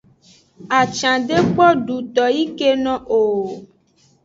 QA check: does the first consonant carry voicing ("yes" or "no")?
no